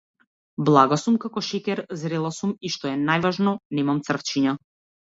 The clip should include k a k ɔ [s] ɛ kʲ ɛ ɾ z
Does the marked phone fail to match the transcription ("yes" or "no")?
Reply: yes